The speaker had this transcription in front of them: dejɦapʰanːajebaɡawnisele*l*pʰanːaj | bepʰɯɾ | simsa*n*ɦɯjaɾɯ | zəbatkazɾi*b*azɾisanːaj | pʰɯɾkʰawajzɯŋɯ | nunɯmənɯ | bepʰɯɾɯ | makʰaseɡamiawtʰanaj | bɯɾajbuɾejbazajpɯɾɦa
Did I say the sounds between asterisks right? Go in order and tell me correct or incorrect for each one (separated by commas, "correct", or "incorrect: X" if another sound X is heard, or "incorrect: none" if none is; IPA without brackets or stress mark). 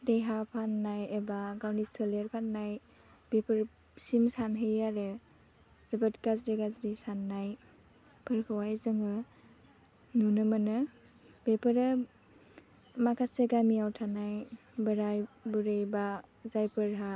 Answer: incorrect: ɾ, correct, incorrect: ɡ